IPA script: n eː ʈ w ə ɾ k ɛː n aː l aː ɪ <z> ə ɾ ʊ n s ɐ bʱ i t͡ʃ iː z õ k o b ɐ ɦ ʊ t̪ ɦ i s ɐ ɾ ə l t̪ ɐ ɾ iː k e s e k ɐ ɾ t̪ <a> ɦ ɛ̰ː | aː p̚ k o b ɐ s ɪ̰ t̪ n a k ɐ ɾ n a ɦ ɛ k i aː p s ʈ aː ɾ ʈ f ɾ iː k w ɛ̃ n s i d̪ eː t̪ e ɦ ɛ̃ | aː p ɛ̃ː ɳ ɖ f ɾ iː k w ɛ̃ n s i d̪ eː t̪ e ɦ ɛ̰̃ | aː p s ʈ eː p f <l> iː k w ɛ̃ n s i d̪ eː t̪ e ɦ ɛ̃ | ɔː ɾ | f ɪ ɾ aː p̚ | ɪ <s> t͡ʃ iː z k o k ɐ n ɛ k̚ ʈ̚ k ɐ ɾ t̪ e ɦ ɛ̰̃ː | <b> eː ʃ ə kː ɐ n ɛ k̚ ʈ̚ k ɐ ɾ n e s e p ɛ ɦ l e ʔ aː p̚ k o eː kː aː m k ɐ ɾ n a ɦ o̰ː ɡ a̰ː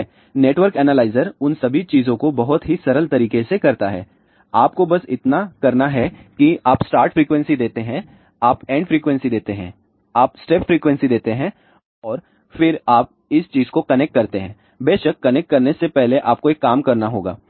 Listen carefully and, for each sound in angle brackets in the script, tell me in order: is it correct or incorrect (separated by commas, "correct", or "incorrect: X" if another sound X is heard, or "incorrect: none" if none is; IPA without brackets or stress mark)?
correct, correct, incorrect: ɾ, correct, correct